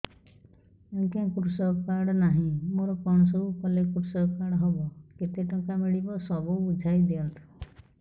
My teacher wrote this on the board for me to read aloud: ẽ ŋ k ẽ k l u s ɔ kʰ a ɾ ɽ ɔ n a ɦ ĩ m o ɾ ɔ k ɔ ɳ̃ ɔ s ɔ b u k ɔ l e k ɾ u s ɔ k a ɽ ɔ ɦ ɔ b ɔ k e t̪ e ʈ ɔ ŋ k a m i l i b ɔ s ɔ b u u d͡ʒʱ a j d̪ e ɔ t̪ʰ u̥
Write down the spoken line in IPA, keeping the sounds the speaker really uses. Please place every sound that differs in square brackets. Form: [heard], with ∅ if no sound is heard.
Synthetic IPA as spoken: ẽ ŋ k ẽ k [ɾ] u s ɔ [k] a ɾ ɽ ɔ n a ɦ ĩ m o ɾ ɔ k ɔ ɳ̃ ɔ s ɔ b u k ɔ l e k ɾ u s ɔ k a ɽ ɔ ɦ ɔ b ɔ k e t̪ e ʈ ɔ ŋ k a m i [ɭ] i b ɔ s ɔ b u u d͡ʒʱ a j d̪ e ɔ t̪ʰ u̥